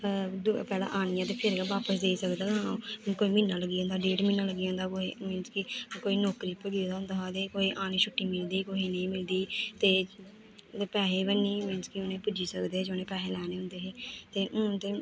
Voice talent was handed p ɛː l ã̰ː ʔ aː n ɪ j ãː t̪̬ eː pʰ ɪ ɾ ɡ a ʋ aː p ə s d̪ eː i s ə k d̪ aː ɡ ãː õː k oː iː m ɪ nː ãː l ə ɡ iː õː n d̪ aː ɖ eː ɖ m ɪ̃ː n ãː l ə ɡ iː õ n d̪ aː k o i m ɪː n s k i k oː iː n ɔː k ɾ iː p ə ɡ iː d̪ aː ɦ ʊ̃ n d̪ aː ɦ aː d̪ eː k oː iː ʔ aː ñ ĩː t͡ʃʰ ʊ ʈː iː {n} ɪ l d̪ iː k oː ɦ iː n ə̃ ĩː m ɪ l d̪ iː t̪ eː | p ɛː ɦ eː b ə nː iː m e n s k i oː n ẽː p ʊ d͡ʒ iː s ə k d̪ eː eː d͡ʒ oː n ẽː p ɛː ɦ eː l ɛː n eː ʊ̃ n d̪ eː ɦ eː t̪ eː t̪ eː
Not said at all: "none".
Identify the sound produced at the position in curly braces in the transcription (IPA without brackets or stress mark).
m